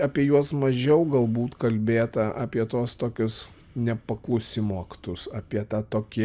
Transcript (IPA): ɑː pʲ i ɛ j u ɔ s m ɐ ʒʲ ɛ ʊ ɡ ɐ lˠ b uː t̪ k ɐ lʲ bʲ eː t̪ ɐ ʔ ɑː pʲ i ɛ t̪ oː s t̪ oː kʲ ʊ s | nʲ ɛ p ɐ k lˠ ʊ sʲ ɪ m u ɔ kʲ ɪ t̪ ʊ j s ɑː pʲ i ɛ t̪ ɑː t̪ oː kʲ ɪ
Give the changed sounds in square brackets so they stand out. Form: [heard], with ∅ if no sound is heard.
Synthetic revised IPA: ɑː pʲ i ɛ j u ɔ s m ɐ ʒʲ ɛ ʊ ɡ ɐ lˠ b uː t̪ k ɐ lʲ bʲ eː t̪ ɐ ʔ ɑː pʲ i ɛ t̪ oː s t̪ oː kʲ ʊ s | nʲ ɛ p ɐ k lˠ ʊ sʲ ɪ m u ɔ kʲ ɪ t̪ ʊ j s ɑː pʲ i ɛ t̪ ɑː t̪ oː kʲ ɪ